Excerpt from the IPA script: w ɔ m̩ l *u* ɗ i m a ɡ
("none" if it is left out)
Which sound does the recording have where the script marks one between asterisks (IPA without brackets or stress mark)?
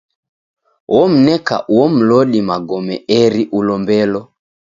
ɔ